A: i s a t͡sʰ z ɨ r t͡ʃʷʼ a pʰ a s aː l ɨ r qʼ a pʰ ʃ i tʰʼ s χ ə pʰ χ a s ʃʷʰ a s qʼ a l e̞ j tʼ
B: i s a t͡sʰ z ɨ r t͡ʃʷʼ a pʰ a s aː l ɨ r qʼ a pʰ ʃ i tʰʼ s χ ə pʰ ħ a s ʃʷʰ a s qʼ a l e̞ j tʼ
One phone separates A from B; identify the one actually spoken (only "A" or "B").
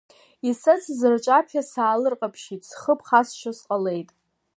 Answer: A